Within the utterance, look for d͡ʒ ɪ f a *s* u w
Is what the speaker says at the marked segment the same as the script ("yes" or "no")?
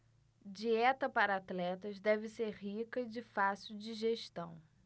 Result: yes